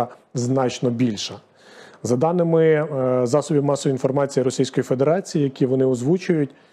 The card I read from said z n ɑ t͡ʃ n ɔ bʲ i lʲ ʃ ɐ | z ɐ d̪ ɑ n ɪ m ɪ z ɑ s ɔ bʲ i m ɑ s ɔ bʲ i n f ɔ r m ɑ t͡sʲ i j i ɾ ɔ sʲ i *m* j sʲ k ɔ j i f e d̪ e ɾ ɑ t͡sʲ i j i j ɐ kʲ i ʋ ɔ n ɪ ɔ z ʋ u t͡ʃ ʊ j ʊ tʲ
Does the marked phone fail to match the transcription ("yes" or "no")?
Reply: yes